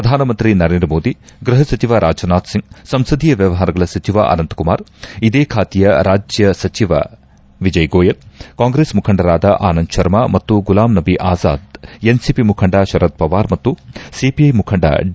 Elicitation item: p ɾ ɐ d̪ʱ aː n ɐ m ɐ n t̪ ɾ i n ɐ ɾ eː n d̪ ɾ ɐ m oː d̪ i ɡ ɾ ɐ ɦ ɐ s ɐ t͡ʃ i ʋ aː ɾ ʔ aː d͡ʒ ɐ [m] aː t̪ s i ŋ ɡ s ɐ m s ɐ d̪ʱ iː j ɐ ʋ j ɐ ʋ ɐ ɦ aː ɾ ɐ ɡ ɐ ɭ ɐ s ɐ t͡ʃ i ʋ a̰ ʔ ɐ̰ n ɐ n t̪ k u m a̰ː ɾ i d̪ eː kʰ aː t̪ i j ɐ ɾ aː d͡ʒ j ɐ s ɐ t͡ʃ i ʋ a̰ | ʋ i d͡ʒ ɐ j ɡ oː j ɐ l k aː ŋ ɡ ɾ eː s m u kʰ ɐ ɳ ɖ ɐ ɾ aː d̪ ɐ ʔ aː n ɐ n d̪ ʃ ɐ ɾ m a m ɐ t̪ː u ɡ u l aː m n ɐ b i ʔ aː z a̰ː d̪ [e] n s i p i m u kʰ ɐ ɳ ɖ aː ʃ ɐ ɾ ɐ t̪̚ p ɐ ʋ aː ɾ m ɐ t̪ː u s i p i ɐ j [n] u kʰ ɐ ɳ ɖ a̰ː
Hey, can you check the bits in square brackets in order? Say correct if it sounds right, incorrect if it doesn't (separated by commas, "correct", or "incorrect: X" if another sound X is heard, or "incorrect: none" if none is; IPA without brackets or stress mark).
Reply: incorrect: n, correct, incorrect: m